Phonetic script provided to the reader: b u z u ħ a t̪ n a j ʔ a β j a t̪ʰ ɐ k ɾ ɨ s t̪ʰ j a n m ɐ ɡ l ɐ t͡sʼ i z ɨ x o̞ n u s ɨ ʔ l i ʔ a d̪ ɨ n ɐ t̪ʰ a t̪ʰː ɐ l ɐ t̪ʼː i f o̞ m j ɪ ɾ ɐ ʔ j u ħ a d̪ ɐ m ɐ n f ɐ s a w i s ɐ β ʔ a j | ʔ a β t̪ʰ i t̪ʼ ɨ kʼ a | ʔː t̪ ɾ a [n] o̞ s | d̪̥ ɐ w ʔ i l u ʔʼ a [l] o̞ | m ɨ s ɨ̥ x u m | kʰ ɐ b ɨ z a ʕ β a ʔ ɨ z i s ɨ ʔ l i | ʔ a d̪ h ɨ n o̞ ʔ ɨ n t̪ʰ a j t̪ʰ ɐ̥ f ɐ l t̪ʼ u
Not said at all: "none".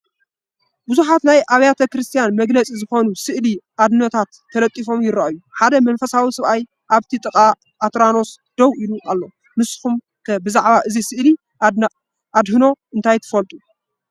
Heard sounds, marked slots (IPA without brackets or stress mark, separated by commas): n, lː